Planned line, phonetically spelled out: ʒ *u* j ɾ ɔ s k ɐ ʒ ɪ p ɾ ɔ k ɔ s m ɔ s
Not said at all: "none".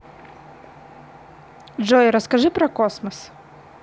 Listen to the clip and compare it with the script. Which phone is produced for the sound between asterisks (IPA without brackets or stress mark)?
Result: ɔ